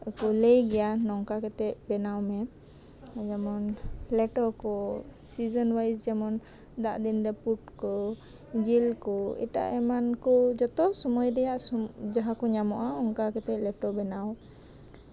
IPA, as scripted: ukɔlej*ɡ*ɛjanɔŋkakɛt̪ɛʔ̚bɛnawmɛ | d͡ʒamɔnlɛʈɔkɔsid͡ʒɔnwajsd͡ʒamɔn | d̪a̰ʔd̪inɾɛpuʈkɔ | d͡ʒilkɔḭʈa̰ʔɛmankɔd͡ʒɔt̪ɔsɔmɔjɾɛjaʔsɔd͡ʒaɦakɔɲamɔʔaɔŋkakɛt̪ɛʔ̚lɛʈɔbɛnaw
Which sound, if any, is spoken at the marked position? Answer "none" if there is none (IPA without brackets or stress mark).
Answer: ɡ